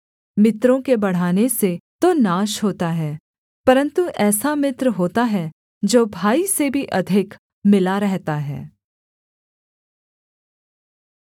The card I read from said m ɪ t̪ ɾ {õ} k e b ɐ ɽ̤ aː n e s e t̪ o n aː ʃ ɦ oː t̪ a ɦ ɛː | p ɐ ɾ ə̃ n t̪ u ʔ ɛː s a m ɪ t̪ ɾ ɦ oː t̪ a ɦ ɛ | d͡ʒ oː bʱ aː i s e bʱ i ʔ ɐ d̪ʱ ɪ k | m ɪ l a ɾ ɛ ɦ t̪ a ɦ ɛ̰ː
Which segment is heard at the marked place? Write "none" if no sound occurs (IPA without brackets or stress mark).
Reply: õ